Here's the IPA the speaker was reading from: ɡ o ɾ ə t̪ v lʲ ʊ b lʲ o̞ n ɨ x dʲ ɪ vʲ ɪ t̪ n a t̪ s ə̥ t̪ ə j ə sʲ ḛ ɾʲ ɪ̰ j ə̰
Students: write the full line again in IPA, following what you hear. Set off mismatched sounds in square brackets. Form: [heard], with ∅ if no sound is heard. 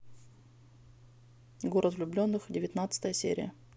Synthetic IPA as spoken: ɡ o ɾ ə t̪ v lʲ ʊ b lʲ o̞ [nː] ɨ x dʲ ɪ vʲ ɪ t̪ n a t̪ s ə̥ t̪ ə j ə sʲ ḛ ɾʲ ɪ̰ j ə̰